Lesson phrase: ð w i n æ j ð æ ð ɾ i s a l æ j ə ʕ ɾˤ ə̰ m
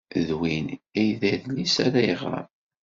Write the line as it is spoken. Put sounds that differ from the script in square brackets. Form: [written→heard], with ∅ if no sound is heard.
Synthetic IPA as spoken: ð w i n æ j ð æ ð [ɾ→l] i s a [l→ɾ] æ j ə [ʕ→ʁ] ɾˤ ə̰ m